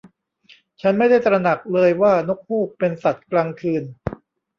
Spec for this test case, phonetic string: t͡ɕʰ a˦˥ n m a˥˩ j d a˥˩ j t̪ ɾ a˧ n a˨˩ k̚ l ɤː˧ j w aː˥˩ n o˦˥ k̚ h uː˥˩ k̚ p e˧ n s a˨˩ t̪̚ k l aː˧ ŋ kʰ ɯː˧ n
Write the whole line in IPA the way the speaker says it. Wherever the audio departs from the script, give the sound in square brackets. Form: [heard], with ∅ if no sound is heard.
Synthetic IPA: t͡ɕʰ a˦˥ n m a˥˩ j d a˥˩ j t̪ ɾ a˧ n a˨˩ k̚ l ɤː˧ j w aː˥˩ n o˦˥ k̚ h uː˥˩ k̚ p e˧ n s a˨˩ t̪̚ k l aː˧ ŋ kʰ ɯː˧ n